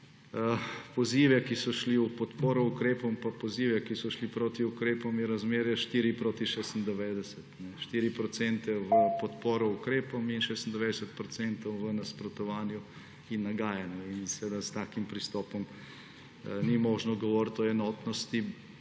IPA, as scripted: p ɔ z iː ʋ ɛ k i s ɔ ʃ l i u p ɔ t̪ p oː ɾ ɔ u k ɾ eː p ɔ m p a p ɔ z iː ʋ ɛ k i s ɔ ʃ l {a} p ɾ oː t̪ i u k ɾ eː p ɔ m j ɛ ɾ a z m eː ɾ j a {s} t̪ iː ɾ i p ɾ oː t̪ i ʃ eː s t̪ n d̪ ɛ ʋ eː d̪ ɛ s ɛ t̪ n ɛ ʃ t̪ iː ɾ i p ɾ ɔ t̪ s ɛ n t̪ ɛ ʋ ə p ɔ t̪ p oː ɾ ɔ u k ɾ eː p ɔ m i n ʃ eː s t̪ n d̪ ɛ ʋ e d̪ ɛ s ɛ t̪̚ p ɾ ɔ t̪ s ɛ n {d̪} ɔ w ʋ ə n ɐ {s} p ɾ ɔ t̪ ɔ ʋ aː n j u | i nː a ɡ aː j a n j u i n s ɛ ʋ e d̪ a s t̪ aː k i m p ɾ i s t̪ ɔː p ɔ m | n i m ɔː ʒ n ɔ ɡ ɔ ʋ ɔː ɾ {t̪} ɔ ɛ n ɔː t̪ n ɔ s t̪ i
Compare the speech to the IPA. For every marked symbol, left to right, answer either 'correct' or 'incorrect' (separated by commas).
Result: incorrect, incorrect, incorrect, correct, correct